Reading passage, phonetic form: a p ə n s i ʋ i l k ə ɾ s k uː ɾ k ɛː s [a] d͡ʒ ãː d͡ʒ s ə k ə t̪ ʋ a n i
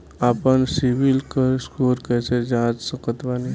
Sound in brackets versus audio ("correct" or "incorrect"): incorrect